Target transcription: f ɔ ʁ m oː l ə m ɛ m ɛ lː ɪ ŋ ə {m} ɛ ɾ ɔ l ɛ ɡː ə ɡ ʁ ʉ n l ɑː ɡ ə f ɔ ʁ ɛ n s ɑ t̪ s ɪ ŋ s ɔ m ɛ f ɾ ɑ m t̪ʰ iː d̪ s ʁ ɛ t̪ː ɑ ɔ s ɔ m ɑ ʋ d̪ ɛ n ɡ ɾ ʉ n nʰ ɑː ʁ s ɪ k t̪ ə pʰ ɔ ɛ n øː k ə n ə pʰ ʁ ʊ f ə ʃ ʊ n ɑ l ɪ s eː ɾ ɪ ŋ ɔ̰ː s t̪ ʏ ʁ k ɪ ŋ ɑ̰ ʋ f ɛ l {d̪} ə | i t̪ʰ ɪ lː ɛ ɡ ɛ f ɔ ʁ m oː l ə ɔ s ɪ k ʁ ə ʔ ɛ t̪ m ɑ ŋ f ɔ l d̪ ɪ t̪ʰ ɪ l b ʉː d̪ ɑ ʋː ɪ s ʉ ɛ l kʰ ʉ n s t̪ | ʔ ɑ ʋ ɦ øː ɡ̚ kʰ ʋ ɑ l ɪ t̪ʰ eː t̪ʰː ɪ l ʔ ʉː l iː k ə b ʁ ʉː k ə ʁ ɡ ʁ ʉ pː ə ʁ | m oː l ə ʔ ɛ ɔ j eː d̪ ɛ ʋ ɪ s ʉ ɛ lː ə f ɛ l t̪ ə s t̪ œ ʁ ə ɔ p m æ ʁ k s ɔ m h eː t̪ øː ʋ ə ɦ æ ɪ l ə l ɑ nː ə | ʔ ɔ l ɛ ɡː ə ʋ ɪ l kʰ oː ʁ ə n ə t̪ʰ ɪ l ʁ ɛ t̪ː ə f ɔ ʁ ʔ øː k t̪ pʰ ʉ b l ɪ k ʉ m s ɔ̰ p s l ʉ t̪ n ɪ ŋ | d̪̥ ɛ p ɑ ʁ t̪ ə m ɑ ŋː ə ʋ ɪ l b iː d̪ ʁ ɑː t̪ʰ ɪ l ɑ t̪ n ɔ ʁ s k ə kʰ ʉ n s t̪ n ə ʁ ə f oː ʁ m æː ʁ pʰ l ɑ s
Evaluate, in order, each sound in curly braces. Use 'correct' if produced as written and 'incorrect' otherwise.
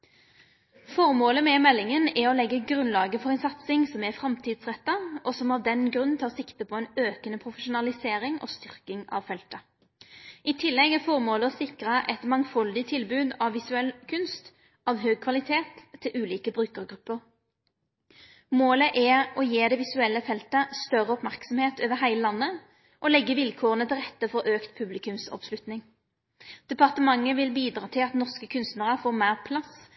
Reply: incorrect, incorrect

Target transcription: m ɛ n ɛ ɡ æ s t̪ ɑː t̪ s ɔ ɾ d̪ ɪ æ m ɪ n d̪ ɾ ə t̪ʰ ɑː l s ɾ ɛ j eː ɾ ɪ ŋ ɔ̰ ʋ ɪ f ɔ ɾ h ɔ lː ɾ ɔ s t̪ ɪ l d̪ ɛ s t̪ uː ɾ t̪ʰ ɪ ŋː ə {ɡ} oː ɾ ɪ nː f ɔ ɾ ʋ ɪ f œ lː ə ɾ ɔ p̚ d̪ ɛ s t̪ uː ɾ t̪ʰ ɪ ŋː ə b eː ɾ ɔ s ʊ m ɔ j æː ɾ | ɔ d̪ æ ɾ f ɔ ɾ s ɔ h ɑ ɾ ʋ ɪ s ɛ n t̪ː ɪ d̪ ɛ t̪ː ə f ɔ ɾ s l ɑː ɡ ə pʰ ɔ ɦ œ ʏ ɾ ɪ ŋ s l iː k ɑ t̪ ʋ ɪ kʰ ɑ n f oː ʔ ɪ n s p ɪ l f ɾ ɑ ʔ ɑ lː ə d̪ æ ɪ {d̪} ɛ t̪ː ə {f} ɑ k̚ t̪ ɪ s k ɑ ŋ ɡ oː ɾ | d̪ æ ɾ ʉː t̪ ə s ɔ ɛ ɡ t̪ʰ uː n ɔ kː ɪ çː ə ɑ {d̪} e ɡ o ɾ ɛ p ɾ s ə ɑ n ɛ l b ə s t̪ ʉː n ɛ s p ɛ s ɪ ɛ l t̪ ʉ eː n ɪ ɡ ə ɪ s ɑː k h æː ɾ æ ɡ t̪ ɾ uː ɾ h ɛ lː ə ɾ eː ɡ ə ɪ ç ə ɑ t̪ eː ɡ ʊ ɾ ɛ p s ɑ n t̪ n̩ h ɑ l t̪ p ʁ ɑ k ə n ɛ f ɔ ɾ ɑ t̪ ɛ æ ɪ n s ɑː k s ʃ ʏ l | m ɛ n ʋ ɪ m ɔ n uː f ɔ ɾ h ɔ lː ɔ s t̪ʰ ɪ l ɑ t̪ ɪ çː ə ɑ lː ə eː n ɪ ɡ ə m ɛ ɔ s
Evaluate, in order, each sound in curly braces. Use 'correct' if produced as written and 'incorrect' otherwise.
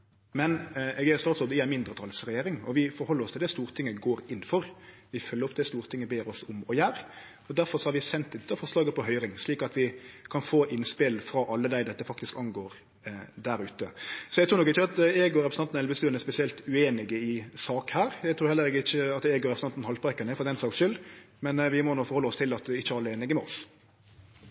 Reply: correct, correct, correct, incorrect

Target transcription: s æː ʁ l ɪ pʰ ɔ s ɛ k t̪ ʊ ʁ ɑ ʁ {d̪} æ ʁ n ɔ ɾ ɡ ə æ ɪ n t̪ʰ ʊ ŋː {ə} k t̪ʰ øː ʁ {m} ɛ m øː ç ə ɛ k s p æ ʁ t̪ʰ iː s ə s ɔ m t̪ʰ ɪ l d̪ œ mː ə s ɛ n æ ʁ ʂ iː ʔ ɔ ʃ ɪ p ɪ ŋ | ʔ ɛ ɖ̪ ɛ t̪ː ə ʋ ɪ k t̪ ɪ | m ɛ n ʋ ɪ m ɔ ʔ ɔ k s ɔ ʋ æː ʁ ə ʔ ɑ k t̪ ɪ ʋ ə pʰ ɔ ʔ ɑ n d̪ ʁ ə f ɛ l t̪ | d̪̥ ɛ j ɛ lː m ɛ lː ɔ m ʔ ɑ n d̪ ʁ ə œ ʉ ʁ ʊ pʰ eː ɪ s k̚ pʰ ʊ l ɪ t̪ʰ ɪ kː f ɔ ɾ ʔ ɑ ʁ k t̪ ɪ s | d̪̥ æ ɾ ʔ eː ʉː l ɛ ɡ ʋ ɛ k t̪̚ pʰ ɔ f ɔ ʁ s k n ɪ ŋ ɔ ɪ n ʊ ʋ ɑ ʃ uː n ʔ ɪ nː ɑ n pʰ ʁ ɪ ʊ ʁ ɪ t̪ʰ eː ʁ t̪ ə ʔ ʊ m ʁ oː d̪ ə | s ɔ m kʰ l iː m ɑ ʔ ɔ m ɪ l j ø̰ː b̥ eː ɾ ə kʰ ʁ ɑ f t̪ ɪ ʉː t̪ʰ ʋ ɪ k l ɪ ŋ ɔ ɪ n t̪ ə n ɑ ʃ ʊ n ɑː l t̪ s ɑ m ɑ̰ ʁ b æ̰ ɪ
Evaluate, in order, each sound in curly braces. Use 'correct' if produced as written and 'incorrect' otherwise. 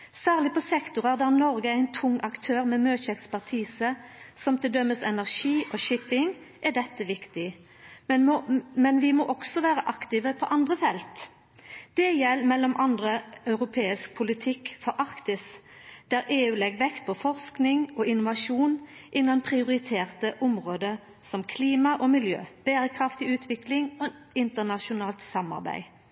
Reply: correct, incorrect, correct

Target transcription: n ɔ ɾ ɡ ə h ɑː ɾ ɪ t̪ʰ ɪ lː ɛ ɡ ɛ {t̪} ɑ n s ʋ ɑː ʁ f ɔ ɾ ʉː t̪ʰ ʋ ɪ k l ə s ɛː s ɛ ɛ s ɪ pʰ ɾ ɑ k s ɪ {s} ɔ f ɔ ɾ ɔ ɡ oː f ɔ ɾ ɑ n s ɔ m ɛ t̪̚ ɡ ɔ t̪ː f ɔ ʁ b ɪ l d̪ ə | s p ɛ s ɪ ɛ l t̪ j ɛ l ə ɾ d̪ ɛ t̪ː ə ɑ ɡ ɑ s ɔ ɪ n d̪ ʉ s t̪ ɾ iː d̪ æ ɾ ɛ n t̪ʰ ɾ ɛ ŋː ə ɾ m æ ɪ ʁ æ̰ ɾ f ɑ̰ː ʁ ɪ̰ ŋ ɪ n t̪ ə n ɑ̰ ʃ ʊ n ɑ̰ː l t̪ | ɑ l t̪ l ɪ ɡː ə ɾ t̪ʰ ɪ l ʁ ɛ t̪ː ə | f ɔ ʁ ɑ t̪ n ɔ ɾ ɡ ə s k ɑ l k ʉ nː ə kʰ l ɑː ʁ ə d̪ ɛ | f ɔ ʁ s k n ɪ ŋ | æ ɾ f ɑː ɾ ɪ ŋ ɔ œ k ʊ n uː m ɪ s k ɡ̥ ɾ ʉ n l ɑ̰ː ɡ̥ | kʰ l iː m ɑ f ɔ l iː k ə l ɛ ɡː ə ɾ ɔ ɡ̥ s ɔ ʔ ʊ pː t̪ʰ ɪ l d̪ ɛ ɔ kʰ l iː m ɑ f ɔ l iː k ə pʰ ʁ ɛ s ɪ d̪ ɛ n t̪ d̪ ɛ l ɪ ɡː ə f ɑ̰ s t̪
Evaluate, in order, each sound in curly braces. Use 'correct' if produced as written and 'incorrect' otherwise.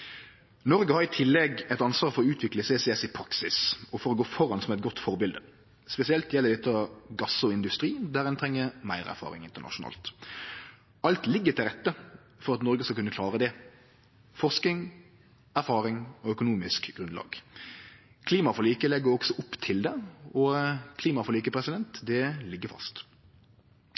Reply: correct, correct

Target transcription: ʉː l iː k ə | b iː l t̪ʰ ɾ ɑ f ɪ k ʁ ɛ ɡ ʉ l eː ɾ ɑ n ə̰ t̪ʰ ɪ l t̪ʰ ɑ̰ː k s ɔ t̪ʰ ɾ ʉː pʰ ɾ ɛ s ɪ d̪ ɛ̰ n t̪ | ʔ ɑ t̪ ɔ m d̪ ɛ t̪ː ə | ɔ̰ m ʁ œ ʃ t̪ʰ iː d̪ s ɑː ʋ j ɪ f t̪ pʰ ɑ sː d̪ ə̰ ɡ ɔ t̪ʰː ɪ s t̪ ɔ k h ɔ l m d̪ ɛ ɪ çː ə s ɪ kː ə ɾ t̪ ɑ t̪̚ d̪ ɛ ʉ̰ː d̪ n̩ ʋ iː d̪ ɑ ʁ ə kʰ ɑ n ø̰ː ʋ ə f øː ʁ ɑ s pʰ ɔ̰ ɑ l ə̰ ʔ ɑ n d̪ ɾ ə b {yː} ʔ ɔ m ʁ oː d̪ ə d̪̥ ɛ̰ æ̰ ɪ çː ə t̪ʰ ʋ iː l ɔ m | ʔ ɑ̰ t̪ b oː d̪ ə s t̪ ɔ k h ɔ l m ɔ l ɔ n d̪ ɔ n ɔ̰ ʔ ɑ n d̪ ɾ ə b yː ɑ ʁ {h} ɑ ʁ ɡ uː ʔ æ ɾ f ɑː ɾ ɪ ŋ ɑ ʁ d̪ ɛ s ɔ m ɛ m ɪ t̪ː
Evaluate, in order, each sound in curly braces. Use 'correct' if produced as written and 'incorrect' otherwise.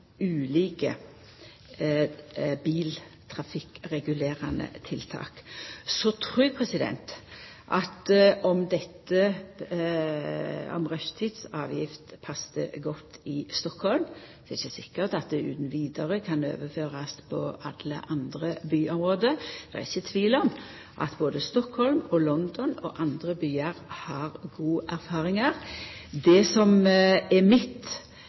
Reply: correct, correct

